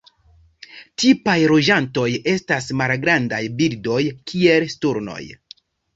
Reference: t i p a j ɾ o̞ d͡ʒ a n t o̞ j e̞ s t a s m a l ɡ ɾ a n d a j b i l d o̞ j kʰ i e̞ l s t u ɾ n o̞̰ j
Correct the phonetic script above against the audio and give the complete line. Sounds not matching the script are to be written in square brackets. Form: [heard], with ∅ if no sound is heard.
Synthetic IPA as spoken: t i p a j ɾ o̞ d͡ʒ a n t o̞ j e̞ s t a s m a l ɡ ɾ a n d a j b i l d o̞ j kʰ i e̞ l s t u ɾ n o̞̰ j

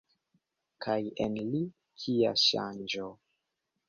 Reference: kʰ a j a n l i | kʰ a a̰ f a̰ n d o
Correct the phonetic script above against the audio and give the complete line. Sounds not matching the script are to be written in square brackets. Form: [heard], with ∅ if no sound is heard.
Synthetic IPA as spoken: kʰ a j [e] n l i | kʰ [i] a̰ [ʃ] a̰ n [d͡ʒ] o

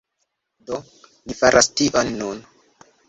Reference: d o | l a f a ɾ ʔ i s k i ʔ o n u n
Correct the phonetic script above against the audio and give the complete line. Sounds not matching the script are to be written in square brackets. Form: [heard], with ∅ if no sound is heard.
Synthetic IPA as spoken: d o | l [i] f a ɾ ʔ [a] s [t] i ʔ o [nː] u n

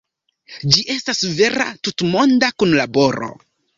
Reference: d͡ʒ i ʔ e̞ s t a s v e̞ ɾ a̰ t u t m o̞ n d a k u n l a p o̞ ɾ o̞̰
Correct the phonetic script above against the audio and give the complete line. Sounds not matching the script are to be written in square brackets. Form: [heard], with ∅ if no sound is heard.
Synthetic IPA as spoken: d͡ʒ i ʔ e̞ s t a s v e̞ ɾ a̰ t u t m o̞ n d a k u n l a [b] o̞ ɾ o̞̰

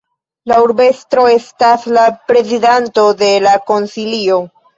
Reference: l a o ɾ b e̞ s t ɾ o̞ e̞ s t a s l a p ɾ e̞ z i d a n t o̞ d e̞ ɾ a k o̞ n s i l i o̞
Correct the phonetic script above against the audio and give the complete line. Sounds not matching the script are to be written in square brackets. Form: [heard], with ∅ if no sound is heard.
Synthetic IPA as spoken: l a [u] ɾ b e̞ s t ɾ o̞ e̞ s t a s l a p ɾ e̞ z i d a n t o̞ d e̞ [l] a k o̞ n s i l i o̞

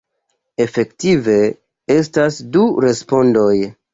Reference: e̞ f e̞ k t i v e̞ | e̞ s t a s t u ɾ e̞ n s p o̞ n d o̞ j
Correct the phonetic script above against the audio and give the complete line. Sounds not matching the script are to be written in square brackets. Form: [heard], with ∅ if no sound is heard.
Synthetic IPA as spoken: e̞ f e̞ k t i v e̞ | e̞ s t a s [d] u ɾ e̞ [∅] s p o̞ n d o̞ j

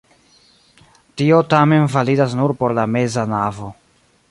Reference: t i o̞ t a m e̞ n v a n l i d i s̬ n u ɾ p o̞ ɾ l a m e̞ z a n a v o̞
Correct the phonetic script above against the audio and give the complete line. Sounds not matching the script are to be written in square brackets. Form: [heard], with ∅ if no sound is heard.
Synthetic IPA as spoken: t i o̞ t a m e̞ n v a [∅] l i d [a] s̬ n u ɾ p o̞ ɾ l a m e̞ z a n a v o̞

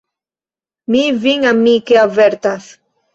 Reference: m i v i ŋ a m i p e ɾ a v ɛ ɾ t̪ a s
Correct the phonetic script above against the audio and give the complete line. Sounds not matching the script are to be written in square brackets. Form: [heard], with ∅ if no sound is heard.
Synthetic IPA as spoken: m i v i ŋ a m i [k] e [∅] a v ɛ ɾ t̪ a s

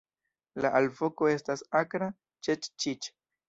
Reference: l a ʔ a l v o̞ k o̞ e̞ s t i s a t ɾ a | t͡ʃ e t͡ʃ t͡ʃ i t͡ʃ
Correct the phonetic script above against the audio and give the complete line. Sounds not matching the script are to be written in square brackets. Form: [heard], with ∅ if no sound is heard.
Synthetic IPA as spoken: l a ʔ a l v o̞ k o̞ e̞ s t [a] s a [k] ɾ a | t͡ʃ e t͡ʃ t͡ʃ i t͡ʃ

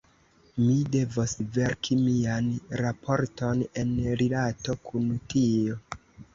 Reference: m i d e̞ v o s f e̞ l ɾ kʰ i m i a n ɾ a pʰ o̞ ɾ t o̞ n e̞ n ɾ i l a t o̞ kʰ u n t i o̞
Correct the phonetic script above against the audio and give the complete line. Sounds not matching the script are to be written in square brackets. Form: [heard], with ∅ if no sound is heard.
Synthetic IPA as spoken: m i d e̞ v o s [v] e̞ [∅] ɾ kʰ i m i a n ɾ a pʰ o̞ ɾ t o̞ n e̞ n ɾ i l a t o̞ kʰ u n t i o̞

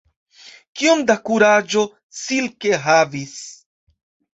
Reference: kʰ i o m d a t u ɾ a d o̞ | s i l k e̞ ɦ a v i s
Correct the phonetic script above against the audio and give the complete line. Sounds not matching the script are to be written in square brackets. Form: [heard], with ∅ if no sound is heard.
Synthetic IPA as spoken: [k] i o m d a [k] u ɾ a [d͡ʒ] o̞ | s i l k e̞ ɦ a v i s

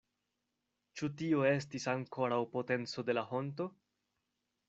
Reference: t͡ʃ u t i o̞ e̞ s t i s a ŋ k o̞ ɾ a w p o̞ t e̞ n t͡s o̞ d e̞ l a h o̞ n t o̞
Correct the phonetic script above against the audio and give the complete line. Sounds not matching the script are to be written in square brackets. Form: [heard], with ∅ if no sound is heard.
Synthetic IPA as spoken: t͡ʃ u t i o̞ e̞ s t i s a ŋ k o̞ ɾ a w p o̞ t e̞ n t͡s o̞ d e̞ l a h o̞ n t o̞

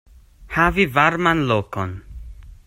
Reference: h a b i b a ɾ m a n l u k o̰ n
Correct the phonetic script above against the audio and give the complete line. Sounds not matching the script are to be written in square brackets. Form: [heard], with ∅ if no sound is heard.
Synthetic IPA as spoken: h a [v] i [v] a ɾ m a n l [o] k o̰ n

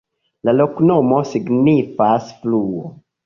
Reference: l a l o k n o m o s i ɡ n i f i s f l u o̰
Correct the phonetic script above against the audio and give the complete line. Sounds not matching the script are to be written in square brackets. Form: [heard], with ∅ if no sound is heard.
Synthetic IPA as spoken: l a l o k n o m o s i ɡ n i f [a] s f l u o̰

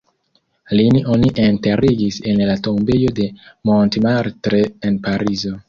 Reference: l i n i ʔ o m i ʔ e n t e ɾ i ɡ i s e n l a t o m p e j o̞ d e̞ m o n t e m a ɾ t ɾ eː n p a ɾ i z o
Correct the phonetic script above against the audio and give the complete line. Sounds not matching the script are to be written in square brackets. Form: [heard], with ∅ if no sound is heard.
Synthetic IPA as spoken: l i n i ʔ o [n] i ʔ e n t e ɾ i ɡ i s e n l a t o m [b] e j o̞ d e̞ m o n t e m a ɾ t ɾ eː n p a ɾ i z o

